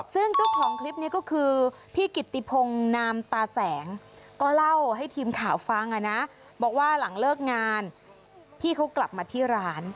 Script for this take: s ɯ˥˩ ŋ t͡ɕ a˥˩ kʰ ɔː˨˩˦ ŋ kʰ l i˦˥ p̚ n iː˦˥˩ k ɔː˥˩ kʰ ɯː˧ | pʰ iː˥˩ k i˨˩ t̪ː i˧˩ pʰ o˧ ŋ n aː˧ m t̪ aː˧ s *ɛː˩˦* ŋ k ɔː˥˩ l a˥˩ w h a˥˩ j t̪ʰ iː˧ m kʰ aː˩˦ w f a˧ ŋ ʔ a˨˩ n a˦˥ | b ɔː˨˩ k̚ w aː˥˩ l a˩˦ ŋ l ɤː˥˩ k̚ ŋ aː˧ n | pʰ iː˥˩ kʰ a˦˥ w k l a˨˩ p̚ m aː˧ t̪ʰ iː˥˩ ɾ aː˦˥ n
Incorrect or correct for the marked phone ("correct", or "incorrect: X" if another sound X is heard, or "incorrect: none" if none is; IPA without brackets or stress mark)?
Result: correct